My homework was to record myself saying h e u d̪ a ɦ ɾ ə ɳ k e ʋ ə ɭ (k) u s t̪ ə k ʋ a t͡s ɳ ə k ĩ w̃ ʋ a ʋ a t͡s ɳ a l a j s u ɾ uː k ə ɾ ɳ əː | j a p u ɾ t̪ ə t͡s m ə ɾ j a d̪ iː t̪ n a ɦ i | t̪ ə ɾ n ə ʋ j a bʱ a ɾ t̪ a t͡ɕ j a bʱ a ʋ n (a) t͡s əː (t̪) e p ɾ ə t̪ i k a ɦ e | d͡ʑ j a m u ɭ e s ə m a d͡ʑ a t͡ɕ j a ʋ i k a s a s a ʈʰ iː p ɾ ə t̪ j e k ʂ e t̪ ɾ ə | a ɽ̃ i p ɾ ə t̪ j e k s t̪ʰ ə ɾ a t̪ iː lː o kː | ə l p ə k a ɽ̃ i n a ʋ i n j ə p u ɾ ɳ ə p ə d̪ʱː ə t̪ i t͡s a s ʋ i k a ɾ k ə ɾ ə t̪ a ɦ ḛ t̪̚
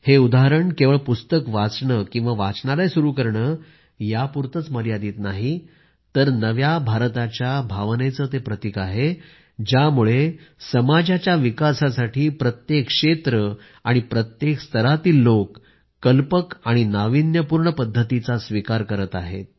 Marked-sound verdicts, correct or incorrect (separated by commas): incorrect, incorrect, correct